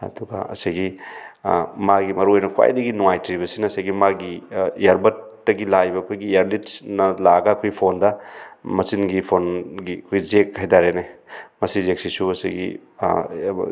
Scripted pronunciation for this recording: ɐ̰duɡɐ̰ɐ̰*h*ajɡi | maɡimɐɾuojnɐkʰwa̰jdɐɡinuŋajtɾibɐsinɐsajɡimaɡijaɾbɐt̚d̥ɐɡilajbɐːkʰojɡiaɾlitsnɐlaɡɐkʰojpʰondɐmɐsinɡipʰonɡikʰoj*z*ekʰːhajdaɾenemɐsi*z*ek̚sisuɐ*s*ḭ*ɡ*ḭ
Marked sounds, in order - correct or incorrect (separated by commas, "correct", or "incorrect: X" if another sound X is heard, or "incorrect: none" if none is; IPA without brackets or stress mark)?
incorrect: s, correct, correct, correct, correct